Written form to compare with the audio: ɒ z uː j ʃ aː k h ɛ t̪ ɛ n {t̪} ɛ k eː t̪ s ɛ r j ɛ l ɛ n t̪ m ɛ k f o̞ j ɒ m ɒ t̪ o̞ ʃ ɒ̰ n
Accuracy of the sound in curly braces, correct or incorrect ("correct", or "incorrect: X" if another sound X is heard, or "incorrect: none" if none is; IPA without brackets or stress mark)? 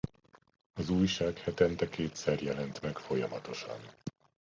correct